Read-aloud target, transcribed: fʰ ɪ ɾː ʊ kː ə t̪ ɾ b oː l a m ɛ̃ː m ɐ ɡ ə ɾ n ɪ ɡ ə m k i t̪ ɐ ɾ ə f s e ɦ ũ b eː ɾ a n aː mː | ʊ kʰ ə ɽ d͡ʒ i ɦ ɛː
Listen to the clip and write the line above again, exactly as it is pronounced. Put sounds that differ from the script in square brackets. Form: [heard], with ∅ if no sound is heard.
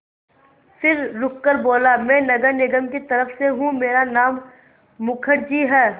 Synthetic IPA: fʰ ɪ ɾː ʊ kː ə [∅] ɾ b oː l a m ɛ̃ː [n] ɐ ɡ ə ɾ n ɪ ɡ ə m k i t̪ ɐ ɾ ə f s e ɦ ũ [m] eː ɾ a n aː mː | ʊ kʰ ə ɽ d͡ʒ i ɦ ɛː

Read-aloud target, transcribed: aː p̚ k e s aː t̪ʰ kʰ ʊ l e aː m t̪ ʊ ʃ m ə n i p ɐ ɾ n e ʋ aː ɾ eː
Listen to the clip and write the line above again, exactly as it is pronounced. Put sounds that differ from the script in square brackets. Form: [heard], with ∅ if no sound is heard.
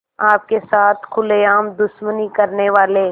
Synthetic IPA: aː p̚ k e s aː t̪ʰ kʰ ʊ l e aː m [d̪] ʊ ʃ m ə n i [k] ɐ ɾ n e ʋ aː [l] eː

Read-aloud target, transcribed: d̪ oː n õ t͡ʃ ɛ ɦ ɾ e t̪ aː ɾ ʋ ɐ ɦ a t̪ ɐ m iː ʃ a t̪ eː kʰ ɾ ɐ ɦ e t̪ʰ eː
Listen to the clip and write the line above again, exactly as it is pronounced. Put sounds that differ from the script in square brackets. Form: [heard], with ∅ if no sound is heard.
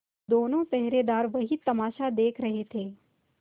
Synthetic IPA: d̪ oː n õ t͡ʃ ɛ ɦ ɾ e [d̪] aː ɾ ʋ ɐ ɦ [i] t̪ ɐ m [aː] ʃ a [d̪] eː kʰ ɾ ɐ ɦ e t̪ʰ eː

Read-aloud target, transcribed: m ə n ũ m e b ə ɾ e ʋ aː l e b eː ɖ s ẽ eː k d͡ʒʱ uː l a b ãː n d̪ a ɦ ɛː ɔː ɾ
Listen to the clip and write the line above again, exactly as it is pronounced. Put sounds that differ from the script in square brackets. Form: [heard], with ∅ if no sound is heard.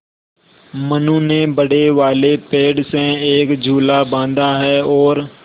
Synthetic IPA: m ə n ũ [n] e b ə [ɽ] e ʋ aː l e [p] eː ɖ s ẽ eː k d͡ʒʱ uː l a b ãː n d̪ a ɦ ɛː ɔː ɾ

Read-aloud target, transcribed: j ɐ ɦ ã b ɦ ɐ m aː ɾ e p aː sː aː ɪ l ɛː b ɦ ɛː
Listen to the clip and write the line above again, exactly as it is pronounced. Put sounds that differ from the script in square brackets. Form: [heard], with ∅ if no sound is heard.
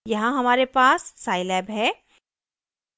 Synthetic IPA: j ɐ ɦ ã [∅] ɦ ɐ m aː ɾ e p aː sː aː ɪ l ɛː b ɦ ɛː

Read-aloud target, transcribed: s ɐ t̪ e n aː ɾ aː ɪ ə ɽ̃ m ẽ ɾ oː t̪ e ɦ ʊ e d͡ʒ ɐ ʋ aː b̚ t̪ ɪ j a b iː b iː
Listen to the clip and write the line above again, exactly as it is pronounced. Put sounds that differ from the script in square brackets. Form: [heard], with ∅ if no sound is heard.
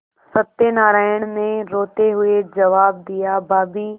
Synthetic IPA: s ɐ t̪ e n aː ɾ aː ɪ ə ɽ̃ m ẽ ɾ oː t̪ e ɦ ʊ e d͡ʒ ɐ ʋ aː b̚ [d̪] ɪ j a b [aː] b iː

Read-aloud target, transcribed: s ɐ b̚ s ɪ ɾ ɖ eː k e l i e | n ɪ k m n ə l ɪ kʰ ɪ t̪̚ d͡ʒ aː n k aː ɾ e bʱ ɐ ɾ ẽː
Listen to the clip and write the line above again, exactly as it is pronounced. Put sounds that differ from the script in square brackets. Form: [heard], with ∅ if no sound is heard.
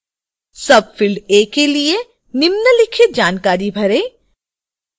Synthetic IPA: s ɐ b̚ [f] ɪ [l] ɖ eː k e l i e | n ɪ [∅] m n ə l ɪ kʰ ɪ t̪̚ d͡ʒ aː n k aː ɾ [i] bʱ ɐ ɾ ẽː

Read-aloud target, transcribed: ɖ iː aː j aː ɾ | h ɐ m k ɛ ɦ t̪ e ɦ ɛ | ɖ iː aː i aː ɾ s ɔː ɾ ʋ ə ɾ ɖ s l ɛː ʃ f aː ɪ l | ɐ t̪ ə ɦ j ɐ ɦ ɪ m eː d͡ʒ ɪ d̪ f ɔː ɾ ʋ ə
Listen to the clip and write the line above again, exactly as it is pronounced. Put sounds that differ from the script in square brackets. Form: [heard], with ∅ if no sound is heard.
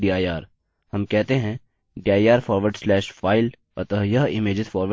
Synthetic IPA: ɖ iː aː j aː ɾ | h ɐ m k ɛ ɦ t̪ e ɦ [ɛ̃] | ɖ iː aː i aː ɾ [f] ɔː ɾ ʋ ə ɾ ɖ s l ɛː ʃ f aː ɪ l | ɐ t̪ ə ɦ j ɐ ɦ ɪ m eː d͡ʒ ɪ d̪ f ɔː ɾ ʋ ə

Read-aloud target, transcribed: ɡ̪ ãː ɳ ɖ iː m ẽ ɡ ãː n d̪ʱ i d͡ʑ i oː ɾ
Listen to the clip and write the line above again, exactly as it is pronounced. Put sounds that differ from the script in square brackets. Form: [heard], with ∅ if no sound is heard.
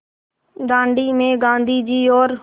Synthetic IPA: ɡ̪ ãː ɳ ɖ iː m [ẽː] ɡ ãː n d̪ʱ [iː] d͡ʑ [iː] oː ɾ

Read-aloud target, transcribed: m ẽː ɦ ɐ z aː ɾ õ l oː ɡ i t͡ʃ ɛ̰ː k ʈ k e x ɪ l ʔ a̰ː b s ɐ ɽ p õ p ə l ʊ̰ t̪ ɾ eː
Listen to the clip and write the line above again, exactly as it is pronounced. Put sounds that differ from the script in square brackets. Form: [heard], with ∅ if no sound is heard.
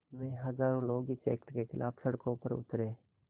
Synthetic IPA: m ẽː ɦ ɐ z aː ɾ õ l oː ɡ i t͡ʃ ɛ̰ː k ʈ k e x ɪ l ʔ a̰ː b s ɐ ɽ [k] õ p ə [ɾ] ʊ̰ t̪ ɾ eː

